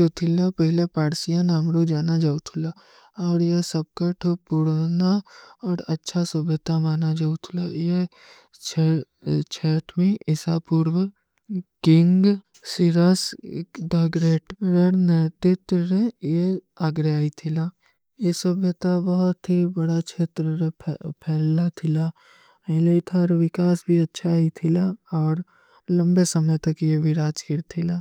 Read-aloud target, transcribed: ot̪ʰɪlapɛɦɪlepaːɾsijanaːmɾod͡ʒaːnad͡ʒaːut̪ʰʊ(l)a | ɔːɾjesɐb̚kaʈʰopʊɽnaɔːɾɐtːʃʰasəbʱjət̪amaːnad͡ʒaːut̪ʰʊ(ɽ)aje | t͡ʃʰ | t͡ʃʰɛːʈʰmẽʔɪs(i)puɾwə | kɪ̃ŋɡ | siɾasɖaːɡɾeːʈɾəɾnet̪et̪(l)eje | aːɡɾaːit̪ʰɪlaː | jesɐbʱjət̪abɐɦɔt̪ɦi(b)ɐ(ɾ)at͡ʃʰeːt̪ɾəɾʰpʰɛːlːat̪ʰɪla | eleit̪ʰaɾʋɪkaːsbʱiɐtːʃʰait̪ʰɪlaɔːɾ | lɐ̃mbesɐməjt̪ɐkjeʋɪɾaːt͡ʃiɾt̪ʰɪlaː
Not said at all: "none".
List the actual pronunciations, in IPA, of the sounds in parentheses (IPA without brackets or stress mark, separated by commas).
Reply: l, l, a, ɾ, b, ɽ